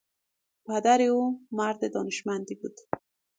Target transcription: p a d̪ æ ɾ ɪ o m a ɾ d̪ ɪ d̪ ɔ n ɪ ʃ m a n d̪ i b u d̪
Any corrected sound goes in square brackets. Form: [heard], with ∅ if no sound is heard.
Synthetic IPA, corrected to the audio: p a d̪ [a] ɾ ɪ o m a ɾ d̪ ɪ d̪ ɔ n ɪ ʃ m a n d̪ i b u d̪